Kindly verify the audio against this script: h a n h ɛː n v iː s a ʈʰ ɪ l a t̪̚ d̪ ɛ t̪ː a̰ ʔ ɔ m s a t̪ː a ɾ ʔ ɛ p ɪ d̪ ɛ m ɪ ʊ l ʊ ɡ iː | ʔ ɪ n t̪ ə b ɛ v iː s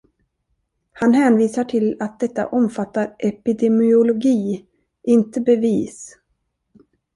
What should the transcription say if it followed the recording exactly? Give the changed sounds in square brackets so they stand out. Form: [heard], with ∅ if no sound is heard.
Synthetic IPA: h a n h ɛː n v iː s a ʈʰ ɪ l a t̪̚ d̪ ɛ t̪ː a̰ ʔ ɔ m [f] a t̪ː a ɾ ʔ ɛ p ɪ d̪ ɛ m ɪ ʊ l ʊ ɡ iː | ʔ ɪ n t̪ ə b ɛ v iː s